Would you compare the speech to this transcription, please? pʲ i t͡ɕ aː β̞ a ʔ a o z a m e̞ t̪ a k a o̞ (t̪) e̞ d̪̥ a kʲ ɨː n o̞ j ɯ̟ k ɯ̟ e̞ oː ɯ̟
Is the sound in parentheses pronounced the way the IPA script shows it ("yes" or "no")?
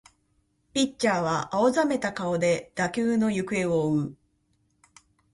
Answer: no